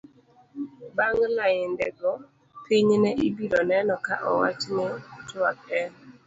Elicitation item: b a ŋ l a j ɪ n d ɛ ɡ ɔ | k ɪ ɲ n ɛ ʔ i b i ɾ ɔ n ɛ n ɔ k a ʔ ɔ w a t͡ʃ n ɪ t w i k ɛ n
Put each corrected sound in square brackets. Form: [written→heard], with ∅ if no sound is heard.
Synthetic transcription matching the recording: b a ŋ l a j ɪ n d ɛ ɡ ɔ | [k→p] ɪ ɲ n ɛ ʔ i b i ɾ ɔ n ɛ n ɔ k a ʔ ɔ w a t͡ʃ n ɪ t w [i→a] k ɛ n